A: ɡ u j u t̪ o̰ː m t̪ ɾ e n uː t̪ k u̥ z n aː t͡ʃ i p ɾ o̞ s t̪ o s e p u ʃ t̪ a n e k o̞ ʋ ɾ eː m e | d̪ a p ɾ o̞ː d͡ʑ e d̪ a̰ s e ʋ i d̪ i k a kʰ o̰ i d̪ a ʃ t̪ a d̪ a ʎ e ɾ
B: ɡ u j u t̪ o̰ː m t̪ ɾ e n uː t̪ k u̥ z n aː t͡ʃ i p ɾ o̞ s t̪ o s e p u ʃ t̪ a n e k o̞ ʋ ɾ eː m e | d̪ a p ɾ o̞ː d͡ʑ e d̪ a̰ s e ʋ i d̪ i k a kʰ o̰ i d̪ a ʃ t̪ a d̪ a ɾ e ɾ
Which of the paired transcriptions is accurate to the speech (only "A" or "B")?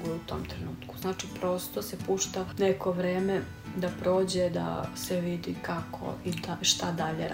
A